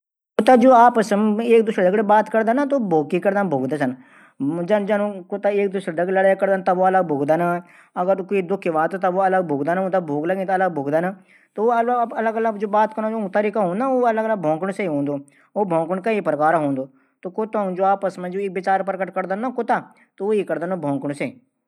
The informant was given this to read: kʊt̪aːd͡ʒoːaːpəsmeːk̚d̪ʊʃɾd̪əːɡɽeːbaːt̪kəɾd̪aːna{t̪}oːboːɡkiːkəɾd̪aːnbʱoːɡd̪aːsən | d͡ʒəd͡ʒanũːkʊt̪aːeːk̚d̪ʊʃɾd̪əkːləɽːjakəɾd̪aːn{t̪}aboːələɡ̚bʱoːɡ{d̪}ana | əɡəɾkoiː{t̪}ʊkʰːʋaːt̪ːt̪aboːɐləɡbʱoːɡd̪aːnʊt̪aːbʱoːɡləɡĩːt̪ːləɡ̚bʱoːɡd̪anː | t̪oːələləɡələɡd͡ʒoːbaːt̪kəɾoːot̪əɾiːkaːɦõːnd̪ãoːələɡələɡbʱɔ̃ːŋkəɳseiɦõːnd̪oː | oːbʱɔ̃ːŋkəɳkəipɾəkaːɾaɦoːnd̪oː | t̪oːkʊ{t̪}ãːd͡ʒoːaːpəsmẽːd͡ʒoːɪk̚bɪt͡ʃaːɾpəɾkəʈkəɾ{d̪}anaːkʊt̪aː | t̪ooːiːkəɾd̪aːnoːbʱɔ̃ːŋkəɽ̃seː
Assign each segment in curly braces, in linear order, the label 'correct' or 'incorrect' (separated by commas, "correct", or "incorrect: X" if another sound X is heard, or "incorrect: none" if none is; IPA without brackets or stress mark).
correct, correct, correct, incorrect: d̪, correct, correct